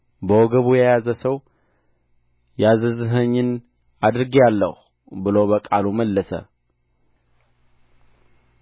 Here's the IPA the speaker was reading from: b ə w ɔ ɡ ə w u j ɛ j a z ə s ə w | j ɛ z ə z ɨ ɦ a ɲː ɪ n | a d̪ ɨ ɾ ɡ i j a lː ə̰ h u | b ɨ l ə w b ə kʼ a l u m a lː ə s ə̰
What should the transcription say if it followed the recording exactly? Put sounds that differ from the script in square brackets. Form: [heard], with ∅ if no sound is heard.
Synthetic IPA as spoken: b ə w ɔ ɡ ə [β] u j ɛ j a z ə s ə w | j [a] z ə z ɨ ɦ [ə] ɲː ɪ n | a d̪ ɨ ɾ ɡ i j a lː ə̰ h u | b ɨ l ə w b ə kʼ a l u m [ə] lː ə s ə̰